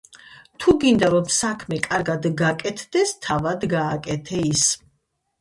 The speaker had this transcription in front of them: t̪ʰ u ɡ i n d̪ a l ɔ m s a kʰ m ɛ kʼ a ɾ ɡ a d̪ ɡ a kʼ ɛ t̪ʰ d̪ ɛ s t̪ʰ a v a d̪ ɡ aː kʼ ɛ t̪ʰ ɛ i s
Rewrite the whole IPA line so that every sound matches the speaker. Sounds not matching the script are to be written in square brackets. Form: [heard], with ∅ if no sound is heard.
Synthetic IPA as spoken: t̪ʰ u ɡ i n d̪ a [ɾ] ɔ m s a kʰ m ɛ kʼ a ɾ ɡ a d̪ ɡ a kʼ ɛ t̪ʰ d̪ ɛ s t̪ʰ a v a d̪ ɡ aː kʼ ɛ t̪ʰ ɛ i s